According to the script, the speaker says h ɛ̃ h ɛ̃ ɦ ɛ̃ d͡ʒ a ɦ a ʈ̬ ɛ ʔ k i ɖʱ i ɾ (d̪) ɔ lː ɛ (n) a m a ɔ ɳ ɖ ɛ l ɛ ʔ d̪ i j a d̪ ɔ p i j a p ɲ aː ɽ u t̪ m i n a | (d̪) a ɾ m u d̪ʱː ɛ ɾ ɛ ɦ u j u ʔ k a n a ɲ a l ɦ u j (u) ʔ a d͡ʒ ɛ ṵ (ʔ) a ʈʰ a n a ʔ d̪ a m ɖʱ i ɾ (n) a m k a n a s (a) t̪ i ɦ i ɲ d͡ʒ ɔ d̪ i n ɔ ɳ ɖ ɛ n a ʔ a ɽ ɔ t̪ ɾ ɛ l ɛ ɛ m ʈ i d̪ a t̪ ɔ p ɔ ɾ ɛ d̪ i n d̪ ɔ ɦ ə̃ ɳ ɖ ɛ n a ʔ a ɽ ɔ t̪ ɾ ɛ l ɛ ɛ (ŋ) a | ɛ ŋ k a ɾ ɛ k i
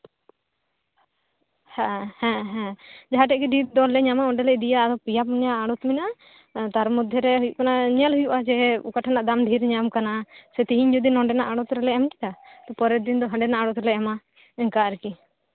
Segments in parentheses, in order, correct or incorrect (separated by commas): correct, incorrect, incorrect, correct, incorrect, incorrect, incorrect, incorrect